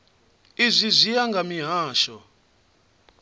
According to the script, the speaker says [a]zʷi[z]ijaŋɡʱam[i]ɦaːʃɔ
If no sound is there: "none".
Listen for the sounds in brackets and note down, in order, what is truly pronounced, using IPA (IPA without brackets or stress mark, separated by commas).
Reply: i, z, i